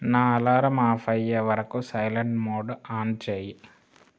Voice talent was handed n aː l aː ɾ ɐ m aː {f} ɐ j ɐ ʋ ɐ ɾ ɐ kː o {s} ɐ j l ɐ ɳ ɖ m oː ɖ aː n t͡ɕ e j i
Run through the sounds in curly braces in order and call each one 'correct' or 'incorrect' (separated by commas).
correct, correct